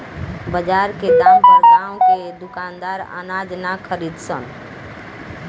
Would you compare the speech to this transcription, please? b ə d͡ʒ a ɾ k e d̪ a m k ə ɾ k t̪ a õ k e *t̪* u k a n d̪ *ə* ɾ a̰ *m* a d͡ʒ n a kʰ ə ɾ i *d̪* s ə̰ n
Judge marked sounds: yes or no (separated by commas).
no, no, no, yes